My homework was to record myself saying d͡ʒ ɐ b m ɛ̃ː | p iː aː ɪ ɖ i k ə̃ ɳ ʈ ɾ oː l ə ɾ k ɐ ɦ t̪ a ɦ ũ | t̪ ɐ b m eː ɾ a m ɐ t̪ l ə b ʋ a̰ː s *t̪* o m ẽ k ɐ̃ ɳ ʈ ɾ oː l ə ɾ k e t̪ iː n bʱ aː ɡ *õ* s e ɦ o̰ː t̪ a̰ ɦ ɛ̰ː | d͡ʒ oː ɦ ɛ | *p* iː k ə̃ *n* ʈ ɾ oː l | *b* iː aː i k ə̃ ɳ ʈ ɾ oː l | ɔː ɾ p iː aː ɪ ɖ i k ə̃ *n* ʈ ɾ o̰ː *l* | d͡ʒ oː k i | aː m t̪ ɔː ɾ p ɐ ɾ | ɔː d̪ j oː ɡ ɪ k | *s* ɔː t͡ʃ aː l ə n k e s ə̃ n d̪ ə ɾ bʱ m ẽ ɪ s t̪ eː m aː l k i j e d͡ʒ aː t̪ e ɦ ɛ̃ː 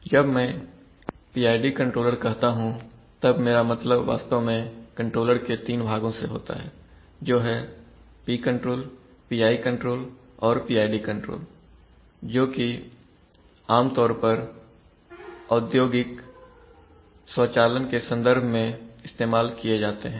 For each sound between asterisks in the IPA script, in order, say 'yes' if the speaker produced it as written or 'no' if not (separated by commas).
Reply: yes, yes, yes, no, no, no, yes, yes